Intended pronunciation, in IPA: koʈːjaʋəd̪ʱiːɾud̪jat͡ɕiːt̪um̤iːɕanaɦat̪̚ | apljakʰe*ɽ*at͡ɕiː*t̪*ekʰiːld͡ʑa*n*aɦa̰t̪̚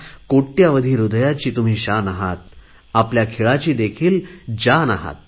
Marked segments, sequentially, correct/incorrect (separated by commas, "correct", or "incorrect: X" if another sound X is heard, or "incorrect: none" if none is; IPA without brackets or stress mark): incorrect: ɭ, incorrect: d̪, correct